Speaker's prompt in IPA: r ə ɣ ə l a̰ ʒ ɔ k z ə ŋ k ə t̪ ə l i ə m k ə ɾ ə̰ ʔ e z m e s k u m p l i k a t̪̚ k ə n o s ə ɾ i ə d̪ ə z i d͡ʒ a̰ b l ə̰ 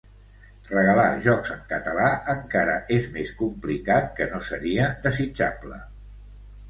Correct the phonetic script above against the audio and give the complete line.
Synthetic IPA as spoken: r ə ɣ ə l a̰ ʒ ɔ k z ə ŋ k ə t̪ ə l a ə ŋ k a ɾ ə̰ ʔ e z m e s k u m p l i k a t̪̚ k ə n o s ə ɾ i ə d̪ ə z i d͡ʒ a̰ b l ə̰

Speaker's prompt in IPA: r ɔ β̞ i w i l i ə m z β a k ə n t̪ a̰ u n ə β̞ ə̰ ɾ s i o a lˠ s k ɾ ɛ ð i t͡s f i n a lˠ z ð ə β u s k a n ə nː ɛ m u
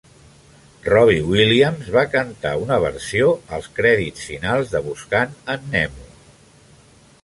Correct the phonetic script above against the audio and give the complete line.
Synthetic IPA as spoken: r ɔ β̞ i w i l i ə m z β a k ə n t̪ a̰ u n ə β̞ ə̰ ɾ s i o ə lˠ s k ɾ ɛ ð i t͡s f i n a lˠ z ð ə β u s k a n ə nː ɛ m u

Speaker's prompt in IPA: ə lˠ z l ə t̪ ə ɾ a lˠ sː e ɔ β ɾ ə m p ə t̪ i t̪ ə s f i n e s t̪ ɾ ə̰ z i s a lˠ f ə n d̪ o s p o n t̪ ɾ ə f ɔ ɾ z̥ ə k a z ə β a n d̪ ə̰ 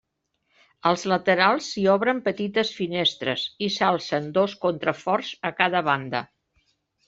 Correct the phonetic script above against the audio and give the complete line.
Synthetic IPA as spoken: ə lˠ z l ə t̪ ə ɾ a lˠ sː i ɔ β ɾ ə m p ə t̪ i t̪ ə s f i n e s t̪ ɾ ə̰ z i s a lˠ s ə n d̪ o s k o n t̪ ɾ ə f ɔ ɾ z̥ ə k a ð ə β a n d̪ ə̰

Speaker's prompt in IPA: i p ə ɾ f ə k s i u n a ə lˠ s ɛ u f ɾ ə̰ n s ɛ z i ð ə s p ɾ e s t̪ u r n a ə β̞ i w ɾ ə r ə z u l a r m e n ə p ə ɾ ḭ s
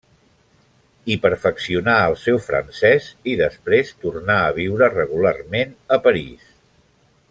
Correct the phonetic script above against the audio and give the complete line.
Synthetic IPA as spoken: i p ə ɾ f ə k s i u n a ə lˠ s ɛ w f ɾ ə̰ n s ɛ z i ð ə s p ɾ e s t̪ u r n a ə β̞ i w ɾ ə r ə ɣ u l a r m e n ə p ə ɾ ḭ s

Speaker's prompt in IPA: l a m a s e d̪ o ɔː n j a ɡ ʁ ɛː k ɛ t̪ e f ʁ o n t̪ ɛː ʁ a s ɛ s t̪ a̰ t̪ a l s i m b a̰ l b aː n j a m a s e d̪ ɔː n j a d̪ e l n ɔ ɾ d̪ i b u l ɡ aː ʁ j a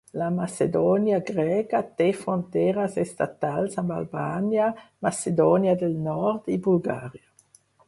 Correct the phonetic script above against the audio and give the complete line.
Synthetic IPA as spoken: l a m a s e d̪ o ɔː n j a ɡ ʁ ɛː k a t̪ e f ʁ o n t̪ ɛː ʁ a s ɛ s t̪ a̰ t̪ a l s a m b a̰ l b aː n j a m a s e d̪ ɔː n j a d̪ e l n ɔ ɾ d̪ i b u l ɡ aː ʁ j a

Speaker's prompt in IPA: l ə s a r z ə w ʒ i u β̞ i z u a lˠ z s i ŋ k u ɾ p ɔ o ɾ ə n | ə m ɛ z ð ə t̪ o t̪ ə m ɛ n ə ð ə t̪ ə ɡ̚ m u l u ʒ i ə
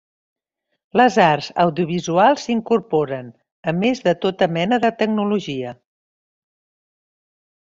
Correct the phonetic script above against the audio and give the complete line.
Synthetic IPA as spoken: l ə z a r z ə w ð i u β̞ i z u a lˠ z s i ŋ k u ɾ p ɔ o ɾ ə n | ə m e z ð ə t̪ o t̪ ə m ɛ n ə ð ə t̪ ə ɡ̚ n u l u ʒ i ə

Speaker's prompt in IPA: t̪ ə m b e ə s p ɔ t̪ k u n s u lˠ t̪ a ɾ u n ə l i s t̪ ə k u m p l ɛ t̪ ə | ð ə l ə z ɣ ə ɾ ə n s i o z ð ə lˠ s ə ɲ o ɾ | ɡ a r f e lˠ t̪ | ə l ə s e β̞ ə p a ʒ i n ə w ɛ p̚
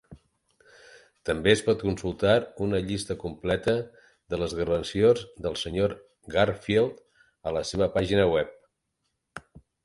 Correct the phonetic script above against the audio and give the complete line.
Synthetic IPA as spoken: t̪ ə m b e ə s p ɔ t̪ k u n s u lˠ t̪ a ɾ u n ə ʎ i s t̪ ə k u m p l ɛ t̪ ə | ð ə l ə z ɣ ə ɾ ə n s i o z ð ə lˠ s ə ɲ o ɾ | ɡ a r f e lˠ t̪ | ə l ə s e β̞ ə p a ʒ i n ə w ɛ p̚

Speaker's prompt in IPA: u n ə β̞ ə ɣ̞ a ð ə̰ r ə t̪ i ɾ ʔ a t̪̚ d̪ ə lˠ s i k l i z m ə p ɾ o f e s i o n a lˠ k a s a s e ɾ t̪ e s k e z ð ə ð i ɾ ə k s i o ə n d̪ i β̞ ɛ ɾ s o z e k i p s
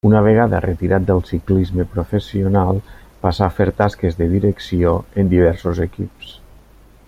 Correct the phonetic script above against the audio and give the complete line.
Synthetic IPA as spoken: u n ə β̞ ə ɣ̞ a ð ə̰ r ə t̪ i ɾ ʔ a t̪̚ d̪ ə lˠ s i k l i z m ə p ɾ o f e s i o n a lˠ p a s a f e ɾ t̪ a s k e z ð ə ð i ɾ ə k s i o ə n d̪ i β̞ ɛ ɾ s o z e k i p s

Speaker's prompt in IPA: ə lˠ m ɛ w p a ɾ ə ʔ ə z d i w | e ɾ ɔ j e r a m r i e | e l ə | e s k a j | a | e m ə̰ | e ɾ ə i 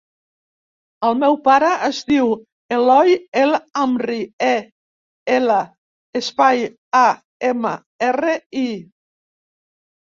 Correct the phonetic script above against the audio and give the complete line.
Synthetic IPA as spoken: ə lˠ m ɛ w p a ɾ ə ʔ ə z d i w | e l ɔ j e l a m r i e | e l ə | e s p a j | a | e m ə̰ | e r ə i

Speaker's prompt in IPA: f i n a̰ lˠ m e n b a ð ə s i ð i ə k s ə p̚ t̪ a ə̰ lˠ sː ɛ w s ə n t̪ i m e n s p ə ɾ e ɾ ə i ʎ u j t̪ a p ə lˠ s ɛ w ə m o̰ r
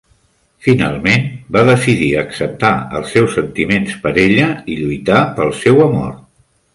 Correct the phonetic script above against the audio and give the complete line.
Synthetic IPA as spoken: f i n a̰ lˠ m e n b a ð ə s i ð i ə k s ə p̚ t̪ a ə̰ lˠ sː ɛ w s ə n t̪ i m e n s p ə ɾ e ʎ ə i ʎ u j t̪ a p ə lˠ s ɛ w ə m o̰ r

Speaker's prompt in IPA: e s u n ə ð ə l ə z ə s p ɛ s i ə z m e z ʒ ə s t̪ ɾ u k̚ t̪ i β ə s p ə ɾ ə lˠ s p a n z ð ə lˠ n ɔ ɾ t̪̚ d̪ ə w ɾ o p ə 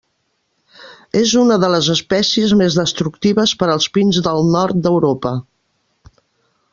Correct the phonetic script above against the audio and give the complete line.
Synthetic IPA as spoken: e z u n ə ð ə l ə z ə s p ɛ s i ə z m e z ð ə s t̪ ɾ u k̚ t̪ i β ə s p ə ɾ ə lˠ s p i n z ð ə lˠ n ɔ ɾ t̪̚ d̪ ə w ɾ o p ə

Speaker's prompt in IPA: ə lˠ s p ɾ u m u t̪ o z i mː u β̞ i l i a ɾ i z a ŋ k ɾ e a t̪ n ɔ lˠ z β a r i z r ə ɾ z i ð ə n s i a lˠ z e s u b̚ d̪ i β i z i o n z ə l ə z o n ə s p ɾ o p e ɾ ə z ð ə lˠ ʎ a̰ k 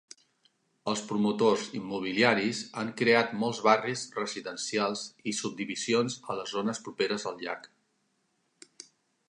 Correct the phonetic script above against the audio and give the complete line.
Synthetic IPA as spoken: ə lˠ s p ɾ u m u t̪ o z i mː u β̞ i l i a ɾ i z a ŋ k ɾ e a t̪ m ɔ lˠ z β a r i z r ə z i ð ə n s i a lˠ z i s u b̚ d̪ i β i z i o n z ə l ə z o n ə s p ɾ u p e ɾ ə z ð ə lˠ ʎ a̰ k

